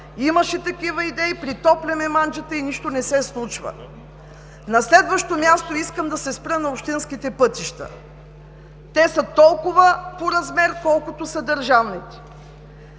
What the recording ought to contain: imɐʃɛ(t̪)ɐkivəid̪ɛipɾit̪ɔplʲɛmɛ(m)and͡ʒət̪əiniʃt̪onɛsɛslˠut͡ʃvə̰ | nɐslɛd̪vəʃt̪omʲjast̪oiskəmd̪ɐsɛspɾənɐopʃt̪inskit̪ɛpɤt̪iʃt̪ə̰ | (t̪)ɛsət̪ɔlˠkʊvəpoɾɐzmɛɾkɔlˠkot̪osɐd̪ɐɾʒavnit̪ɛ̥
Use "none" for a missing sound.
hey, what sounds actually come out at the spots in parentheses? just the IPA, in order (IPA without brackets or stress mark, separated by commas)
t̪, m, t̪